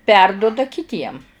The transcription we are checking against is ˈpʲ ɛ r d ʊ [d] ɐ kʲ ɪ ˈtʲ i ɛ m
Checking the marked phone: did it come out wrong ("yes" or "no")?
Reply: no